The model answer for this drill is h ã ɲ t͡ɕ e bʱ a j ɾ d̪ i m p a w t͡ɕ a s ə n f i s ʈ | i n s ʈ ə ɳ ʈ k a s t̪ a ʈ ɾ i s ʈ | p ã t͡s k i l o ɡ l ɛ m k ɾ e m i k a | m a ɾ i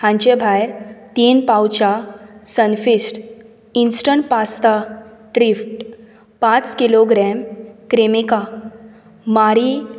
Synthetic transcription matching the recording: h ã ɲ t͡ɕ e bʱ a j ɾ t̪ i n p a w t͡ɕ a s ə n f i s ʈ | i n s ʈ ə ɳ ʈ p a s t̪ a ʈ ɾ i f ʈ | p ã t͡s k i l o ɡ ɾ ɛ m k ɾ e m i k a | m a ɾ i